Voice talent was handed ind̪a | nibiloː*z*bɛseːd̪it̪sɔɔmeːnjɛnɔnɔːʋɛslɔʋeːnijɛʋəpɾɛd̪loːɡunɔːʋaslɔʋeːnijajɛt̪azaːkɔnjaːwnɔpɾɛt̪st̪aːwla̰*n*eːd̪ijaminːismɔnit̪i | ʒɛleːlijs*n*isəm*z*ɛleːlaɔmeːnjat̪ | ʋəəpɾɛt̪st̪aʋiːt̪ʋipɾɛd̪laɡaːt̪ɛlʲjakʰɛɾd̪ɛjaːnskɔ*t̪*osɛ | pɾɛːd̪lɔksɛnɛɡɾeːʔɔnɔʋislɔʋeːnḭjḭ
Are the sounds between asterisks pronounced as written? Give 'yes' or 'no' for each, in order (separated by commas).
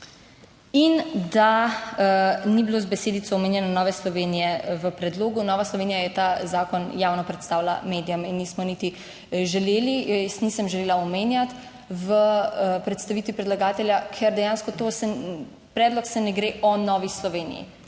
yes, no, yes, no, yes